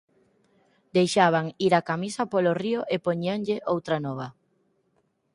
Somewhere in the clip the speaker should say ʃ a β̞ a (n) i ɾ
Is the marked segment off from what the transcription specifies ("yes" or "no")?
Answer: yes